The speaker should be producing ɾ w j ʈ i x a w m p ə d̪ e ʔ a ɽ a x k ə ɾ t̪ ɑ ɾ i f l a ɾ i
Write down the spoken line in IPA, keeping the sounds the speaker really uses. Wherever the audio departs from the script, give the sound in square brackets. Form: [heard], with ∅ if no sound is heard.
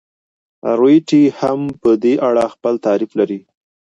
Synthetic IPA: ɾ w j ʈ i [h] a [∅] m p ə d̪ e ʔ a ɽ a x [p] ə [l] t̪ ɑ ɾ i f l a ɾ i